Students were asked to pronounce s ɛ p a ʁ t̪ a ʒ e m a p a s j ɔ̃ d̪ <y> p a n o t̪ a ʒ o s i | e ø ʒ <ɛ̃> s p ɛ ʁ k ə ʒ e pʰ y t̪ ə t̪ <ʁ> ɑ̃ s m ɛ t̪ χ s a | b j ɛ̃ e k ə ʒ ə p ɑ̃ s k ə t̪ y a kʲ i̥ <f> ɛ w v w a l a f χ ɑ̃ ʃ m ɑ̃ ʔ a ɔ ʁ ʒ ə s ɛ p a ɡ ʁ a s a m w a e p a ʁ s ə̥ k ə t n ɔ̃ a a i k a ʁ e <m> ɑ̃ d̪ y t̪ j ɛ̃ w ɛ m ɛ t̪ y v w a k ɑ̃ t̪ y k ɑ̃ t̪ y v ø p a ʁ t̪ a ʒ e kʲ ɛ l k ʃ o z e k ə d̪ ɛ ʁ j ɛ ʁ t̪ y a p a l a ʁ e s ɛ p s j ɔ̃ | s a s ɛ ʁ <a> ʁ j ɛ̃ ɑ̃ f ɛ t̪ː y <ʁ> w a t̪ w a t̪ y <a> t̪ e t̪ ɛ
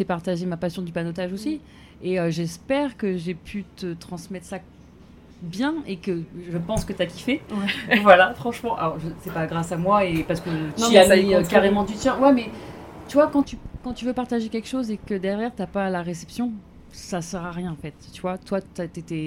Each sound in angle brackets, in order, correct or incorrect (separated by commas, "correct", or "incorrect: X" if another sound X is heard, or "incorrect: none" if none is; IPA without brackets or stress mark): correct, incorrect: ɛ, incorrect: χ, correct, correct, correct, incorrect: v, correct